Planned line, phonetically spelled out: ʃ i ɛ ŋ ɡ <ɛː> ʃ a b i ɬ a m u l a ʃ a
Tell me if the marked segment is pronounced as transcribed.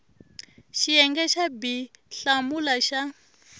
no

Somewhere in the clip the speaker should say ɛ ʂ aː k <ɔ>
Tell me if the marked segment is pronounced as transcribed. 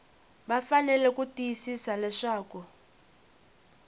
no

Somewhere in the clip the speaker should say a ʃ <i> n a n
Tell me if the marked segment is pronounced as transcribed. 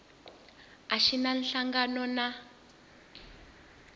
yes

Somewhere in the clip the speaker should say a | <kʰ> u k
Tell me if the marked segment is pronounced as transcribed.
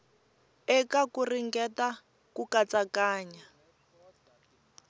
no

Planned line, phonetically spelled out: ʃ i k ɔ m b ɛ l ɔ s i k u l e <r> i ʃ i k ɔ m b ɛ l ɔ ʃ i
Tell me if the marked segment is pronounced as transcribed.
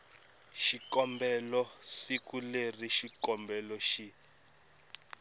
yes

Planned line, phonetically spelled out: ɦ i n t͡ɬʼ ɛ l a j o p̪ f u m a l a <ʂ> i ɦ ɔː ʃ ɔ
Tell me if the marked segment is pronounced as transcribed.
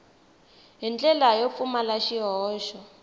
no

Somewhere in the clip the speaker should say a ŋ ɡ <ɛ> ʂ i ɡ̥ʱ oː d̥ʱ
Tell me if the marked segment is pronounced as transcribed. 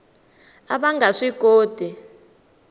no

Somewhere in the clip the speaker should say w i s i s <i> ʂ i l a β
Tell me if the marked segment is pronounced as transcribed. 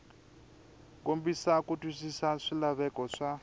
no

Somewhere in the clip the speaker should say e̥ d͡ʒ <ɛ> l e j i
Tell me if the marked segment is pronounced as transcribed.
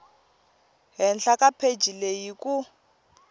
no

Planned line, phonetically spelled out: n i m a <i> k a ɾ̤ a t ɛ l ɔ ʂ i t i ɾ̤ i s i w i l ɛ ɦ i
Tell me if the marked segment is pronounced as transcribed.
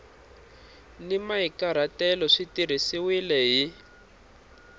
yes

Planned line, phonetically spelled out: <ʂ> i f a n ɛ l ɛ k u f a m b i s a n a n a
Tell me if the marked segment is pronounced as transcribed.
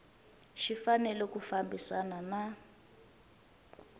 no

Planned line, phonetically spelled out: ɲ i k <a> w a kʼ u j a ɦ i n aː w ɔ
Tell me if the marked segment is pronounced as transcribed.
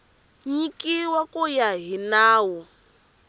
no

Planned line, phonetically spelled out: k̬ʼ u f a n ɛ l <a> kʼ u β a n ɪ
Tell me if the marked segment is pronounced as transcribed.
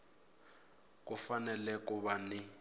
no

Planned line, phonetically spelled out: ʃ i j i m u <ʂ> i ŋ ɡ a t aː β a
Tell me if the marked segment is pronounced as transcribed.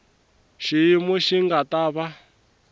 no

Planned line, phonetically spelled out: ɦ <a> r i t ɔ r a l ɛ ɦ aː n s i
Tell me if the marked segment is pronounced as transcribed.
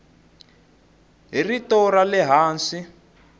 no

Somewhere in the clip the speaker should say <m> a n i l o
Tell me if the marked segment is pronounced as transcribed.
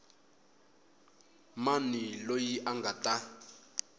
yes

